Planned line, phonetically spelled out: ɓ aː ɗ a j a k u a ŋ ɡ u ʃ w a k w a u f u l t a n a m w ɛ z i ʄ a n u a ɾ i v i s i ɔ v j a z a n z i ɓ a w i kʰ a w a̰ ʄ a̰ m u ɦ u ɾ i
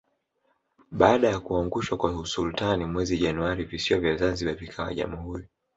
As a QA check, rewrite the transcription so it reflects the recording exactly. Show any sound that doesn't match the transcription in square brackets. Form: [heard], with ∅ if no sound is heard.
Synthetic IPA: ɓ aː ɗ a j a k u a ŋ ɡ u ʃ w a k w a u [s] u l t a n [i] m w ɛ z i ʄ a n u a ɾ i v i s i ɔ v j a z a n z i ɓ a [v] i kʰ a w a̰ ʄ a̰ m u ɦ u ɾ i